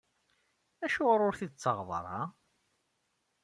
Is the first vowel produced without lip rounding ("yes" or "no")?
yes